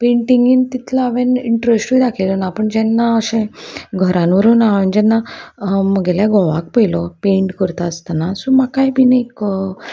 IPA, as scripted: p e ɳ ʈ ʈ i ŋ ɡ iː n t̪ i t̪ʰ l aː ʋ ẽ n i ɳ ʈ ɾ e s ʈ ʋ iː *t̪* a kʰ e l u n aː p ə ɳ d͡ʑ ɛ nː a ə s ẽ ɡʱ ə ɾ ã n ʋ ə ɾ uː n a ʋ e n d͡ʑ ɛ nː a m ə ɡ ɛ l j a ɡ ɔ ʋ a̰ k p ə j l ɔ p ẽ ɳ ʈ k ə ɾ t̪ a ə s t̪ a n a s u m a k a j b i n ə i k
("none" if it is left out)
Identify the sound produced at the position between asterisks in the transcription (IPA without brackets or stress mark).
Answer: d̪